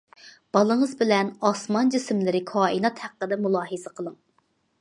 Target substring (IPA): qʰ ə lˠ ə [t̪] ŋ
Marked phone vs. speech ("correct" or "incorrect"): incorrect